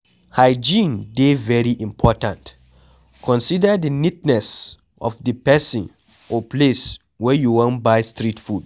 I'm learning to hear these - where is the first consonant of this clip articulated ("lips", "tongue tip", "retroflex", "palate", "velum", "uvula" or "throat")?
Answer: throat